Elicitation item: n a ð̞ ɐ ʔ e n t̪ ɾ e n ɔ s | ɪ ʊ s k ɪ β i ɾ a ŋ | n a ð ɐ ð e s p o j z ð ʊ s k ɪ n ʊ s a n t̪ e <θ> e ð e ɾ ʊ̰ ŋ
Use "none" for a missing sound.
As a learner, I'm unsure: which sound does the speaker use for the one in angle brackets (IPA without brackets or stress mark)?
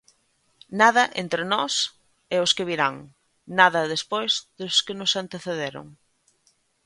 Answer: θ